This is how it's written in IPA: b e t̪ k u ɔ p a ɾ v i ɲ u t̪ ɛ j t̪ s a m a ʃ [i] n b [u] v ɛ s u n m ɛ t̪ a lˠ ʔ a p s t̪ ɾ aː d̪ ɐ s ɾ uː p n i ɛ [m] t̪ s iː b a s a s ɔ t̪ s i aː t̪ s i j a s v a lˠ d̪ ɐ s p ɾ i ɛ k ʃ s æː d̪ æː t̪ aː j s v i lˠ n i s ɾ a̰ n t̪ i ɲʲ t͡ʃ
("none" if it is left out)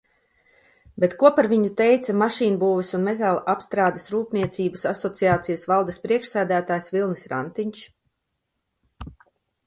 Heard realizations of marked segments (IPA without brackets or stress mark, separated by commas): iː, uː, none